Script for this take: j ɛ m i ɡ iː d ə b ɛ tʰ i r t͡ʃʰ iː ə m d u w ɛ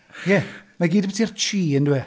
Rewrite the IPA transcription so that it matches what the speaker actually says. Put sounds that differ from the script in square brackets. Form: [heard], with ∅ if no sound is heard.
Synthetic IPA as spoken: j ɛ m [a] ɡ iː d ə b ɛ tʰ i r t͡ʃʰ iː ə [n] d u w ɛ